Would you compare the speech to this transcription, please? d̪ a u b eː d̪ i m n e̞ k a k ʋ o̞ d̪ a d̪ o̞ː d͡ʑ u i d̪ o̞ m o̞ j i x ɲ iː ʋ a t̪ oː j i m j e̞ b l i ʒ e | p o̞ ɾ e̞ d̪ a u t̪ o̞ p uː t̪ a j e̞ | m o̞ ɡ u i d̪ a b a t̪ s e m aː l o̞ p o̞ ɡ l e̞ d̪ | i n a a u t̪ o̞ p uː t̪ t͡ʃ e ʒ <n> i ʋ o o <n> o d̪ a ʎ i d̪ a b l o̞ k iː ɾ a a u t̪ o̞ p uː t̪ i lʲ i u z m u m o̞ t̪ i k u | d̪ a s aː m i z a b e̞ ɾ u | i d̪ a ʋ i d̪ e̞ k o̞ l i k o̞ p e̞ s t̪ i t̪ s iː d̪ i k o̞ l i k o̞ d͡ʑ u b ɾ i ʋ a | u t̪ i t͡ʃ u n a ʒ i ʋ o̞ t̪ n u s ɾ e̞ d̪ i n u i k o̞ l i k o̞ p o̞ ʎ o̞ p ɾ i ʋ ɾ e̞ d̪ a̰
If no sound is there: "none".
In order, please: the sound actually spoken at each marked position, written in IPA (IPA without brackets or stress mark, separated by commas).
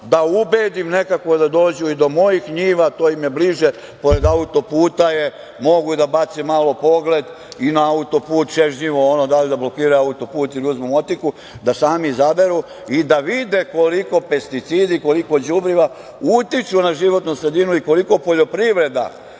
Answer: ɲ, n